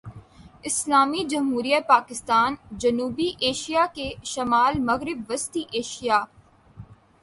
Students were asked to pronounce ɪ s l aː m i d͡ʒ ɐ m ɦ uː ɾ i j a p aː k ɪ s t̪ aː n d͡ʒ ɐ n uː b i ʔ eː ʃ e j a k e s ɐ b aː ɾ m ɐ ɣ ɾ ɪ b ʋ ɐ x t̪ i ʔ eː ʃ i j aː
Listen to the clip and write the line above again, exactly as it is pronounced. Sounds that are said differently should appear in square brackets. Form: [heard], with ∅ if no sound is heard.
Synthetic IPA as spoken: ɪ s l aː m i d͡ʒ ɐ m ɦ uː ɾ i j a p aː k ɪ s t̪ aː n d͡ʒ ɐ n uː b i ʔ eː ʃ [i] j a k e [ʃ] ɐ [m] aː [l] m ɐ ɣ ɾ ɪ b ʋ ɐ [s] t̪ i ʔ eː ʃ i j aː